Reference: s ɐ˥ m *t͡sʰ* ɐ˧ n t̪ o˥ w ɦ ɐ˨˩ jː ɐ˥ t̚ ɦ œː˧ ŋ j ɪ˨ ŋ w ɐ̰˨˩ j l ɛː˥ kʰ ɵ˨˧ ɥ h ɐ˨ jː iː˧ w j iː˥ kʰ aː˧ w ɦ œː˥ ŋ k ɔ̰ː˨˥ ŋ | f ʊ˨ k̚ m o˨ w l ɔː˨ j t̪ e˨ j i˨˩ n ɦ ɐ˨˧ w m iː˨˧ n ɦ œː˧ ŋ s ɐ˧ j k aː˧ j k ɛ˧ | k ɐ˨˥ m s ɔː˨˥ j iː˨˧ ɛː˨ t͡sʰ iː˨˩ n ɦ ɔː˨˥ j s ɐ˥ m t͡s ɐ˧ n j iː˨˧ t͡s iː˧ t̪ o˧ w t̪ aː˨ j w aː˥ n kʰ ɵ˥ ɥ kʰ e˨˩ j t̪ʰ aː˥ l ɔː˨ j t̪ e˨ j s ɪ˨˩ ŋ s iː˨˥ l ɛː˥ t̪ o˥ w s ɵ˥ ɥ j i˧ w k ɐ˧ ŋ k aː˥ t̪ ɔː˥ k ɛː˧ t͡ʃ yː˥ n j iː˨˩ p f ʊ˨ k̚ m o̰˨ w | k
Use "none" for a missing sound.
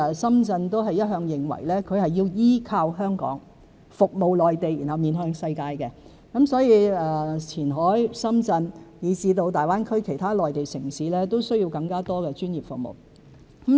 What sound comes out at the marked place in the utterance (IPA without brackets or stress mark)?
t͡s